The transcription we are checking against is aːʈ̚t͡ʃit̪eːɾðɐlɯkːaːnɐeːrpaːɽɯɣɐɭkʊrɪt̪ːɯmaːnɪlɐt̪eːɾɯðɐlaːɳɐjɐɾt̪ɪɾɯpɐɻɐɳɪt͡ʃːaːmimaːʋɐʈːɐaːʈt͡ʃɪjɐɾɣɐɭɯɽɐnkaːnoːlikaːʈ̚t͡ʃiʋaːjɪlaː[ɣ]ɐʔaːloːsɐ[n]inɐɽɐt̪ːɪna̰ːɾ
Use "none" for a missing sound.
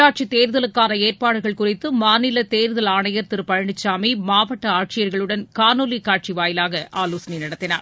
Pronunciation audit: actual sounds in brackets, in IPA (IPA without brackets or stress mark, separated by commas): ɣ, n